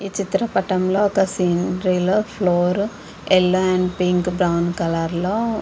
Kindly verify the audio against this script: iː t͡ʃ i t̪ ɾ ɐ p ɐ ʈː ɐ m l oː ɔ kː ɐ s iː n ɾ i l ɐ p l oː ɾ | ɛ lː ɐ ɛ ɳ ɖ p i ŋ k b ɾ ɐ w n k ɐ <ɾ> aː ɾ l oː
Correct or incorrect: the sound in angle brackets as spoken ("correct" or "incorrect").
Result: incorrect